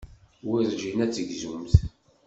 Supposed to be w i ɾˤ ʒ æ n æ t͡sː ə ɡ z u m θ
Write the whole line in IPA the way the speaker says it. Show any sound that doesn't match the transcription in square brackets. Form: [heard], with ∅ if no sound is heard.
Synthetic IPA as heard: w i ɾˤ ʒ [i] n æ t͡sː ə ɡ z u m θ